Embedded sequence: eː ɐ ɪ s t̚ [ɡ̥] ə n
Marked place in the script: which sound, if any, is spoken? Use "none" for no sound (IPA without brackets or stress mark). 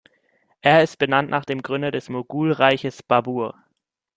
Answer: b̥